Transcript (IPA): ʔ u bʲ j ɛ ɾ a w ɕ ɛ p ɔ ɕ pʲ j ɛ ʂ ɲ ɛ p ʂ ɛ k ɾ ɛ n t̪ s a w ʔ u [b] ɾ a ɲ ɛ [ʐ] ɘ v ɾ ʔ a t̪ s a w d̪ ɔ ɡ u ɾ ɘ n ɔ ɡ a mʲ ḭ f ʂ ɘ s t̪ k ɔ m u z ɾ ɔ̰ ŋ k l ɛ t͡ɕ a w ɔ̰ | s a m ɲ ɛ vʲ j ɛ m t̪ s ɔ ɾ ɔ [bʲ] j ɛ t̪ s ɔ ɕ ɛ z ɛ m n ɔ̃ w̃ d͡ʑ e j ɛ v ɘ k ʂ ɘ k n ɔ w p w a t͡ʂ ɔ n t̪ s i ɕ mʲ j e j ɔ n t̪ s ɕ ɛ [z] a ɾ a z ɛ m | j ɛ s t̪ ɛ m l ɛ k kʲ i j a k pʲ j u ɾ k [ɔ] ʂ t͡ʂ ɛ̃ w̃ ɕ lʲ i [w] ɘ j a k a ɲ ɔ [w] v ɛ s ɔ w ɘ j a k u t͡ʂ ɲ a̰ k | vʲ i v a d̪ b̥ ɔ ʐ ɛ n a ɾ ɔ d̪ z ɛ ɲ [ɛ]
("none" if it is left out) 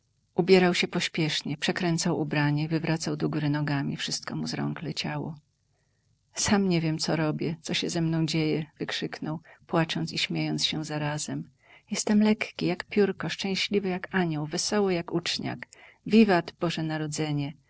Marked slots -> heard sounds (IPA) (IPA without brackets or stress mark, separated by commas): b, v, bʲ, z, ɔ, v, w, ɛ